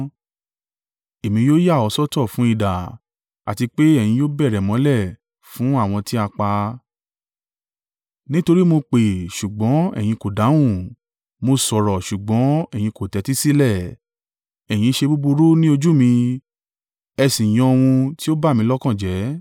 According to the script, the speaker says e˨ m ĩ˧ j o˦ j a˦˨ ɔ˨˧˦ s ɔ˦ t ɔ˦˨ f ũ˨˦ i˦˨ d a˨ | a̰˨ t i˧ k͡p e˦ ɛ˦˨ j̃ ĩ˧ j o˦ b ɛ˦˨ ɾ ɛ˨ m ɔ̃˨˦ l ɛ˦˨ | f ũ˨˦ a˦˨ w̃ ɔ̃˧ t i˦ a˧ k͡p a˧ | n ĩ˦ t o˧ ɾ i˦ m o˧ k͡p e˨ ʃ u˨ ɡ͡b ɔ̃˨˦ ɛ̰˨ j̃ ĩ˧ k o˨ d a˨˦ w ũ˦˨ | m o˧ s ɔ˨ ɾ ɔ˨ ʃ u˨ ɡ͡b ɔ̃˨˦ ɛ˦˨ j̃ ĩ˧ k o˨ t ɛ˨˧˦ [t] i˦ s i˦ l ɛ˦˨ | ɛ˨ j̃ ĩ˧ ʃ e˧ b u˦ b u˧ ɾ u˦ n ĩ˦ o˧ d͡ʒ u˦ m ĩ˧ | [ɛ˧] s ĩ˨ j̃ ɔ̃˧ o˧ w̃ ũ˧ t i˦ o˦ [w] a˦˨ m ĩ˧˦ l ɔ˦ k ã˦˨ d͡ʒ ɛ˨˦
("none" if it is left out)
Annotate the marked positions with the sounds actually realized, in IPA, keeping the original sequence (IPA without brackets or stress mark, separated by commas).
t, ɛ˧, b